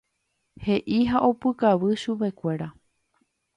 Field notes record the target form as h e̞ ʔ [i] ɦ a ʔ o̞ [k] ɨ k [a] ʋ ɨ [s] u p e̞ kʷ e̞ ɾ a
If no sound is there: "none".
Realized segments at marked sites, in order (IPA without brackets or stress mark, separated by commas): i, p, a, ʃ